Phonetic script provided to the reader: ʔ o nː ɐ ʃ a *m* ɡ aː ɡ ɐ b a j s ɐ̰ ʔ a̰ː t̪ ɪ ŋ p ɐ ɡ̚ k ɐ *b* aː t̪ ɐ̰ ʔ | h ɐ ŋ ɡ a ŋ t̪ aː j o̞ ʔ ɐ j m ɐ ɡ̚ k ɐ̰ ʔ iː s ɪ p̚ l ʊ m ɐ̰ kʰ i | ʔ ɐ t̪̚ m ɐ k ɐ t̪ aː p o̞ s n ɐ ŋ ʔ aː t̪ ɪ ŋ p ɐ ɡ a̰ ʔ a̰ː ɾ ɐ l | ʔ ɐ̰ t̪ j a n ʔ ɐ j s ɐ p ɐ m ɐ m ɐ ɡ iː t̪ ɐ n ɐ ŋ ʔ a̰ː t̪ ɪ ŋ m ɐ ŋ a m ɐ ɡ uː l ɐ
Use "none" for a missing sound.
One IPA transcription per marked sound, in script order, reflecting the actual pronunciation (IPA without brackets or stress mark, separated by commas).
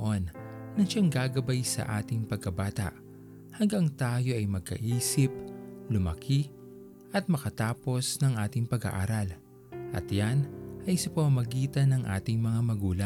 ŋ, b